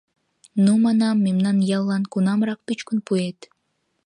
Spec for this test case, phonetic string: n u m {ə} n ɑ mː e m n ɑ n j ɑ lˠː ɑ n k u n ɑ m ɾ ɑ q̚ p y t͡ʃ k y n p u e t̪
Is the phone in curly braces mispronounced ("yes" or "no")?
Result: yes